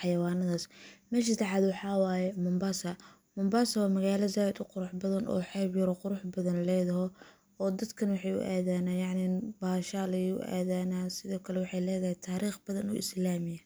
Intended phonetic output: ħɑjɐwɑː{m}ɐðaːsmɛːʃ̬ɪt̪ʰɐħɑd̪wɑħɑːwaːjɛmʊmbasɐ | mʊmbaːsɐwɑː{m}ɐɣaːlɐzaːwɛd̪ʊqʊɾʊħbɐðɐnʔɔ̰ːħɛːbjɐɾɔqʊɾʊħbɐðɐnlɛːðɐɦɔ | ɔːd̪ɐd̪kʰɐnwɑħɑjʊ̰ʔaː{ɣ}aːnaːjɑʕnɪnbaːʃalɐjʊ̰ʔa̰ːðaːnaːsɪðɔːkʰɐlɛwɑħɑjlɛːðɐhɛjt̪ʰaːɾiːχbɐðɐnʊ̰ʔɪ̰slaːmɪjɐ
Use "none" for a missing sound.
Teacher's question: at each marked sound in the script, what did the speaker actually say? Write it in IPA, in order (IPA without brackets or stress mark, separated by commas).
n, m, ð